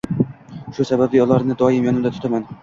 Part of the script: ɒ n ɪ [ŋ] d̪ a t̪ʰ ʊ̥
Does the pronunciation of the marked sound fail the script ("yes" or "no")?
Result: yes